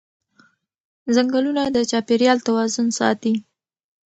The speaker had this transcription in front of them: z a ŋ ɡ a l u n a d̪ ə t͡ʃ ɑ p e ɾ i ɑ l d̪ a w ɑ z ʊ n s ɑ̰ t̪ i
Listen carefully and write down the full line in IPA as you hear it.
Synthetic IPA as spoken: z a ŋ ɡ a l u n a d̪ ə t͡ʃ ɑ p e ɾ j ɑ l t̪ a w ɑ z ʊ n s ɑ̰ t̪ i